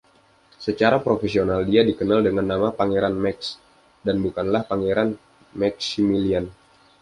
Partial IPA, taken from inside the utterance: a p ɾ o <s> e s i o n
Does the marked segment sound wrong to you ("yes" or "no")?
yes